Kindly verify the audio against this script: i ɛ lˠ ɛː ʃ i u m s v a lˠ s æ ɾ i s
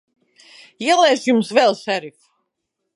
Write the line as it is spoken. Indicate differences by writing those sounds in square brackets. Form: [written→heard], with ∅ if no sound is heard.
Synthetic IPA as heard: i ɛ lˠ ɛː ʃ [i→j] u m s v [a→ɛ] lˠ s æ ɾ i [s→f]